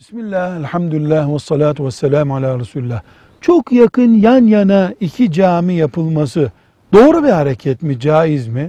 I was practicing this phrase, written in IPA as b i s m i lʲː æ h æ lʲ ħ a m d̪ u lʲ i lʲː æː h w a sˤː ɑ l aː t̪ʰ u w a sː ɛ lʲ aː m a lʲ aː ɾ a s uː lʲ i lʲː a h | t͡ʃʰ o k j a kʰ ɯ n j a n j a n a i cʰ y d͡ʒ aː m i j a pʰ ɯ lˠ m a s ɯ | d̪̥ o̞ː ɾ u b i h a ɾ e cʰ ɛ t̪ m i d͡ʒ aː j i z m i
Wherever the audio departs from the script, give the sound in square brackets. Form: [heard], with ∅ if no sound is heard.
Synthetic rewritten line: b i s m i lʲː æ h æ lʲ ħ a m d̪ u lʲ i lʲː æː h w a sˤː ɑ l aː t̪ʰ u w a sː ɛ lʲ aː m a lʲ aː ɾ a s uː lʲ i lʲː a h | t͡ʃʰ o k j a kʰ ɯ n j a n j a n a i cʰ [i] d͡ʒ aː m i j a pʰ ɯ lˠ m a s ɯ | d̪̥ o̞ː ɾ u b i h a ɾ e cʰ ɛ t̪ m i d͡ʒ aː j i z m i